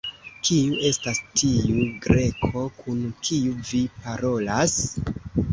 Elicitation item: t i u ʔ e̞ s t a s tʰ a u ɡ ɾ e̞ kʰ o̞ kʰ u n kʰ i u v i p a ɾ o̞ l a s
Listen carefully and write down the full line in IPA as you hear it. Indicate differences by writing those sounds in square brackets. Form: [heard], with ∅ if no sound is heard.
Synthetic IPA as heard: [k] i u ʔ e̞ s t a s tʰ [i] u ɡ ɾ e̞ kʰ o̞ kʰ u n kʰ i u v i p a ɾ o̞ l a s